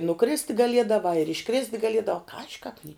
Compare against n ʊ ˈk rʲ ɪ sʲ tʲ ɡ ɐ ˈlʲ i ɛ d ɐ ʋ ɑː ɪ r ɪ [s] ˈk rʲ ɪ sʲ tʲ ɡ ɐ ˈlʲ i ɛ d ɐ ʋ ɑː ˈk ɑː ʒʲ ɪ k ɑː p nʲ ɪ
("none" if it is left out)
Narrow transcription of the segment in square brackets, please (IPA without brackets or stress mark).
ʃ